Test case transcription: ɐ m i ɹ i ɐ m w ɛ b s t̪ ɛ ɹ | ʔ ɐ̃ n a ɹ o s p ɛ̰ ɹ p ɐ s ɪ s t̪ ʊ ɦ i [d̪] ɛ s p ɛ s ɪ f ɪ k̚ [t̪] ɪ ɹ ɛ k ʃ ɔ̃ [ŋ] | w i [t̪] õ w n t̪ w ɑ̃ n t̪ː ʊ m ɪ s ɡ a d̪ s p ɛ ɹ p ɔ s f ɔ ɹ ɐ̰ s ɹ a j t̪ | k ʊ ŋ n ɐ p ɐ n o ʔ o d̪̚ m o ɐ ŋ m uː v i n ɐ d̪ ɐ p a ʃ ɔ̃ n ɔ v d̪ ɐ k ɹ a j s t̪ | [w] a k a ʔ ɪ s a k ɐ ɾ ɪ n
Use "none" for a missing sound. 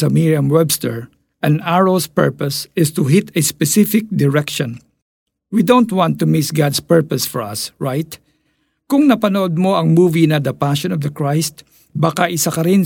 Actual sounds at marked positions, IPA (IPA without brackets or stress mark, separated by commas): t̪, d̪, n, d̪, b